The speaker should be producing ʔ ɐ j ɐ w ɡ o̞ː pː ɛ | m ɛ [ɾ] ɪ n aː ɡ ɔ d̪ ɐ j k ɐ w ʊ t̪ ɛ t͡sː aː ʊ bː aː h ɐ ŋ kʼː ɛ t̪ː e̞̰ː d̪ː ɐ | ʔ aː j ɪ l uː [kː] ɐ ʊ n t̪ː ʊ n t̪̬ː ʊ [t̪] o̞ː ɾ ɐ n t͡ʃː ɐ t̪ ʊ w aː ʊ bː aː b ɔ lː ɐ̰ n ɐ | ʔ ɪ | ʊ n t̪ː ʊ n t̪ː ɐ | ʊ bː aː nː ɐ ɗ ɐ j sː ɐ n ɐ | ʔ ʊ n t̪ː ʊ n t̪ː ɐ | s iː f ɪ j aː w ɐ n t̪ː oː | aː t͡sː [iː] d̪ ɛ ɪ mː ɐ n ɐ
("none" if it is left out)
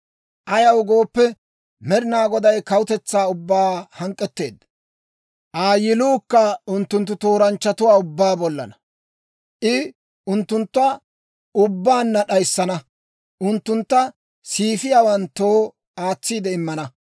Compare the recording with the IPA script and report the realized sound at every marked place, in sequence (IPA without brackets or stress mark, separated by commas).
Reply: ɾ, kː, t̪, iː